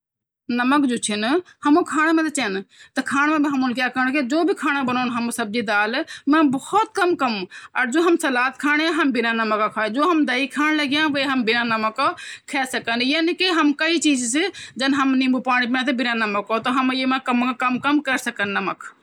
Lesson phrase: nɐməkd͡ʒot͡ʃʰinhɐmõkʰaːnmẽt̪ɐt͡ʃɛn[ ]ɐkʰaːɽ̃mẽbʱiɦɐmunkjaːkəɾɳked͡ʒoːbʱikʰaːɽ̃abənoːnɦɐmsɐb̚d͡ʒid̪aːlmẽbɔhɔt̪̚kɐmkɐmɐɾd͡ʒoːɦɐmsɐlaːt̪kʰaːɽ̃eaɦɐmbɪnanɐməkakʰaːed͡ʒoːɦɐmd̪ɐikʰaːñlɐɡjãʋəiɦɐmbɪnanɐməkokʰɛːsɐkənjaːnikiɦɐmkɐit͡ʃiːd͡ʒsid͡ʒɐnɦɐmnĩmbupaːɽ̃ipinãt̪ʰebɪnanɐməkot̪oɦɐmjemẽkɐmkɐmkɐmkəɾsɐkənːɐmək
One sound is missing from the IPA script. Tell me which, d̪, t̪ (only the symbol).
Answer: t̪